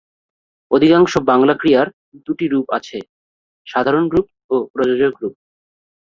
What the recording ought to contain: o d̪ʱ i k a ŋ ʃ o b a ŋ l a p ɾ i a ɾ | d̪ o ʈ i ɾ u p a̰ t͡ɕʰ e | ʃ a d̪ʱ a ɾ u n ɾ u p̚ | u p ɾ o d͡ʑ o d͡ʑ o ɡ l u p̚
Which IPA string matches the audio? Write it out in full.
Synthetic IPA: o d̪ʱ i k a ŋ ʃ o b a ŋ l a k ɾ i a ɾ | d̪ u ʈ i ɾ u p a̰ t͡ɕʰ e | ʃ a d̪ʱ a ɾ o n ɾ u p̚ | o p ɾ o d͡ʑ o d͡ʑ o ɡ ɾ u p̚